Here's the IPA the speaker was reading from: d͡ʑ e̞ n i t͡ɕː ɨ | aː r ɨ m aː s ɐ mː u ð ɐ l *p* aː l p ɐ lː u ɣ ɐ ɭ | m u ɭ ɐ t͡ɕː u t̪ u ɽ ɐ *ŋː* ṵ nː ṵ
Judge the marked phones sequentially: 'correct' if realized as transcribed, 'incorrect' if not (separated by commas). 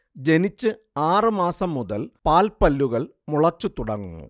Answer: correct, correct